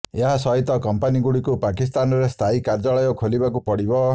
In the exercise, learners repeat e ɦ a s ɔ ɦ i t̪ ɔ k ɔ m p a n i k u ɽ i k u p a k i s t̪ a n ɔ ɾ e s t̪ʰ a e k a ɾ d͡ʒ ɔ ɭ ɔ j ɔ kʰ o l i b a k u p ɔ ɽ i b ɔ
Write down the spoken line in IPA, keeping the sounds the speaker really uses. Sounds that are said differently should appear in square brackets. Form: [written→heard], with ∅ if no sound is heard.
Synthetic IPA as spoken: e ɦ a s ɔ ɦ i t̪ ɔ k ɔ m p a n i [k→ɡ] u ɽ i k u p a k i s t̪ a n ɔ ɾ e s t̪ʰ a [e→i] k a ɾ d͡ʒ ɔ ɭ ɔ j ɔ kʰ o l i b a k u p ɔ ɽ i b ɔ